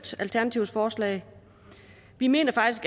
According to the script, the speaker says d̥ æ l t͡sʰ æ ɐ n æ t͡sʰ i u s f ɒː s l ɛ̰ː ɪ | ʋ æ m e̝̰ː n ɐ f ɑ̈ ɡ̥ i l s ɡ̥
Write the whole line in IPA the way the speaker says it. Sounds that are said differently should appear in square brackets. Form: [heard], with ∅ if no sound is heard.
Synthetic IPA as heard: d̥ æ l t͡sʰ æ ɐ n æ t͡sʰ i [ʊ] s f ɒː s l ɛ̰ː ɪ | ʋ [i] m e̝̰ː n ɐ f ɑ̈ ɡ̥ i [∅] s ɡ̥